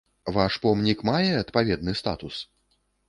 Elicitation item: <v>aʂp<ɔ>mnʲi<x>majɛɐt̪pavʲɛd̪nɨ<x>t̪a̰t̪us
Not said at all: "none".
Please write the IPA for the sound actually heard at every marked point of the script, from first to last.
v, ɔ, k, s

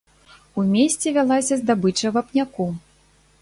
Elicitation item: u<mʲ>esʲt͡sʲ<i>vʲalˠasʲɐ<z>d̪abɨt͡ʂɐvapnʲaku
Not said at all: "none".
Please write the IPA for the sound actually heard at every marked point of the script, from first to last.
mʲ, ɛ, z

